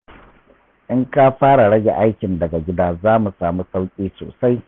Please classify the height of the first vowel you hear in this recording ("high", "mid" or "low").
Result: high